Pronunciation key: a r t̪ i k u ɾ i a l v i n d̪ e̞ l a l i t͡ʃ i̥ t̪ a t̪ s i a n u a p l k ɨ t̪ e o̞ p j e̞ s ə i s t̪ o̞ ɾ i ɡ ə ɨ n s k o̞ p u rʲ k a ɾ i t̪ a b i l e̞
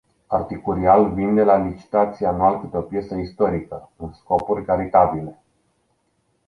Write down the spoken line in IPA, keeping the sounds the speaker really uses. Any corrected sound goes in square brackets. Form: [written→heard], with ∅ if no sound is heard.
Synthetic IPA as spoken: a r t̪ i k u ɾ i a l v i n d̪ e̞ l a l i t͡ʃ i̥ t̪ a t̪ s i a n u a [p→∅] l k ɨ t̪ e o̞ p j e̞ s ə i s t̪ o̞ ɾ i [ɡ→k] ə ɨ n s k o̞ p u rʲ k a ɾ i t̪ a b i l e̞